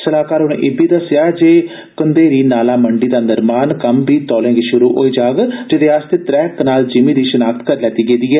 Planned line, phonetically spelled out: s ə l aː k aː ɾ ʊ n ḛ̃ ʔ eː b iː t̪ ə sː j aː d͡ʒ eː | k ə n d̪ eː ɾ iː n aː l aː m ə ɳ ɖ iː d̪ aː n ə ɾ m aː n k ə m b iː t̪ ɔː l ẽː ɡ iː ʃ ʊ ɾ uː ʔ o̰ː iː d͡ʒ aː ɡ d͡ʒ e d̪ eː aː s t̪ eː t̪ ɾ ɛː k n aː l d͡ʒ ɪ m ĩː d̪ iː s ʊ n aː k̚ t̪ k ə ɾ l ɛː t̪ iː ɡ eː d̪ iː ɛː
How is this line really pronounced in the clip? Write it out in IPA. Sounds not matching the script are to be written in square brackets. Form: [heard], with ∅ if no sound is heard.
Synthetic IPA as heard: s ə l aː k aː ɾ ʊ n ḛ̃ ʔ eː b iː [d̪] ə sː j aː d͡ʒ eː | k ə n d̪ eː ɾ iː n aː l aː m ə ɳ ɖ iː d̪ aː n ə ɾ m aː n k ə m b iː t̪ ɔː l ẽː ɡ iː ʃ ʊ ɾ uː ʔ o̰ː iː d͡ʒ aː ɡ d͡ʒ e d̪ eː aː s t̪ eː t̪ ɾ ɛː k n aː l d͡ʒ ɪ m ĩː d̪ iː [ʃ] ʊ n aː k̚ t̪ k ə ɾ l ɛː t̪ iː ɡ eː d̪ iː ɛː